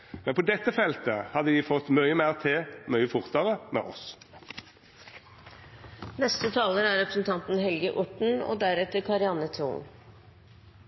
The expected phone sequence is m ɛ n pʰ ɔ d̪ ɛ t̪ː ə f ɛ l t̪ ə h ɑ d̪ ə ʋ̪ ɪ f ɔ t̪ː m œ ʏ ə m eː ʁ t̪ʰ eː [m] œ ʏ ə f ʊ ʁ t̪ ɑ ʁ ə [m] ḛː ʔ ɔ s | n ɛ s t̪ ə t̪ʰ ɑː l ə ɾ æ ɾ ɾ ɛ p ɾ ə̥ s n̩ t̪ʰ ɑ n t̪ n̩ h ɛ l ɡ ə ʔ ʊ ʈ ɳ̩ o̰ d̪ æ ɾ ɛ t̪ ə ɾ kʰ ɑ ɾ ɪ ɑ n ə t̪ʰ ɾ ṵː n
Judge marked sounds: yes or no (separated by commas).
yes, yes